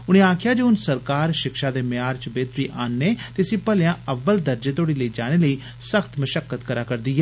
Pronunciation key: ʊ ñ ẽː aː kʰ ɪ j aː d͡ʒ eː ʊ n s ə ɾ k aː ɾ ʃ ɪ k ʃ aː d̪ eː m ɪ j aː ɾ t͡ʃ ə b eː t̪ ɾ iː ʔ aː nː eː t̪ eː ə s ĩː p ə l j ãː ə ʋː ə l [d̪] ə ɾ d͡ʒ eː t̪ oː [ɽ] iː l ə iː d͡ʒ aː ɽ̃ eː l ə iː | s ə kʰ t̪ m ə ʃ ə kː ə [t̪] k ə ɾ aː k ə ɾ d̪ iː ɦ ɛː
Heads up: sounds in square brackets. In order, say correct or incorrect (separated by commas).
correct, correct, correct